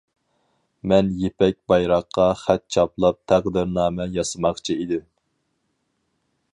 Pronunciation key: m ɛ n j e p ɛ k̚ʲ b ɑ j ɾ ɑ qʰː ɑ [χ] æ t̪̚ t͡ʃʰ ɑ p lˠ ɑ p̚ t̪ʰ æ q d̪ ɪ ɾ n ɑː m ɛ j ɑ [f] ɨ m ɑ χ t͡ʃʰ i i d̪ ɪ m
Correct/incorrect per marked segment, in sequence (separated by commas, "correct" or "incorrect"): correct, incorrect